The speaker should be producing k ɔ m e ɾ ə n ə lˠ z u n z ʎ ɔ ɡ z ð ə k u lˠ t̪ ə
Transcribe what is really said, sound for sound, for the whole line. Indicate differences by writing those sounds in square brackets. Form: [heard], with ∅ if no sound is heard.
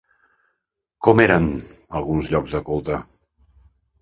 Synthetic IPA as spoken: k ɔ m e ɾ ə n ə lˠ [ɣ] u n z ʎ ɔ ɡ z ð ə k u lˠ t̪ ə